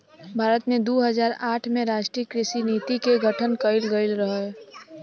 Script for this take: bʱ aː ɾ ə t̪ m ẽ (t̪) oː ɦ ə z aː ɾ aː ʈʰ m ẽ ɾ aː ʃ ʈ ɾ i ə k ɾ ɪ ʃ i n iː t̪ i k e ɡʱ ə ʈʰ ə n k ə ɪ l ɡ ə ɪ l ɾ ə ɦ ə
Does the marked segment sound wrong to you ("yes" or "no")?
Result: yes